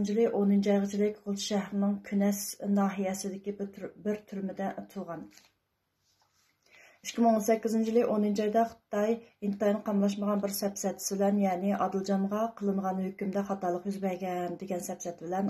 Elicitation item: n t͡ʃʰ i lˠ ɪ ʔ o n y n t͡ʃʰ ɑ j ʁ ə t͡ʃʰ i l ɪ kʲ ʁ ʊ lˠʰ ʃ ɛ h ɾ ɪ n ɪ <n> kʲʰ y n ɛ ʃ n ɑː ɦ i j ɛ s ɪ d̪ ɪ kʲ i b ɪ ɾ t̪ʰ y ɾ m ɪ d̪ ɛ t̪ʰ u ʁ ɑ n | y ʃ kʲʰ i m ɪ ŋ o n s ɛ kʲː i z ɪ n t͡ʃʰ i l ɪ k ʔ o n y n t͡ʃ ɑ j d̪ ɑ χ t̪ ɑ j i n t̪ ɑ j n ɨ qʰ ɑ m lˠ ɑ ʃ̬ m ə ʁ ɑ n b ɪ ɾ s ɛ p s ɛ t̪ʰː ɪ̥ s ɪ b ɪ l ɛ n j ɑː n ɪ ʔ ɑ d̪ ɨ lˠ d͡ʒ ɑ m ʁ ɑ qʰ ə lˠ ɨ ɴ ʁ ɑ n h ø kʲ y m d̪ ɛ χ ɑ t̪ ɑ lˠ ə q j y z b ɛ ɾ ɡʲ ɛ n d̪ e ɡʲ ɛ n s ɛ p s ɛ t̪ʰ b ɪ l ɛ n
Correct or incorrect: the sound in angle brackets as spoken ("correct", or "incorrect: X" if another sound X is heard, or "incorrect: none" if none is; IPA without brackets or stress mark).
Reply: incorrect: ŋ